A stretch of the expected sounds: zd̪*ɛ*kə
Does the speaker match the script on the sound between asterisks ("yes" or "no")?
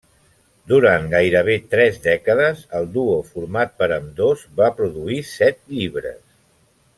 yes